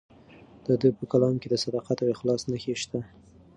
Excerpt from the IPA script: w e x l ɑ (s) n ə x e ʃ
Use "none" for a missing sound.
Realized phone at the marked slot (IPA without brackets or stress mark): s